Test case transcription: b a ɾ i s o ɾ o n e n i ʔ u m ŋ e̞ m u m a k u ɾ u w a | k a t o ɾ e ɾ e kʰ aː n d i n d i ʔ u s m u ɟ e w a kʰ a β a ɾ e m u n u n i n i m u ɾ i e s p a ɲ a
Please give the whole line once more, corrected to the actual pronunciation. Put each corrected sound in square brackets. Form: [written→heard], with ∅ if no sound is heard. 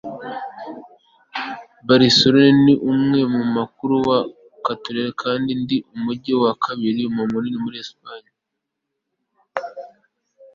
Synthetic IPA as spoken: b a ɾ i s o ɾ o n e n i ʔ u m ŋ e̞ m u m a k u ɾ u w a | k a t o ɾ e ɾ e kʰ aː n d i n d i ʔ u [s→∅] m u ɟ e w a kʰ a β [a→i] ɾ [e→i] m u [n→m] u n i n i m u ɾ i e s p a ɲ a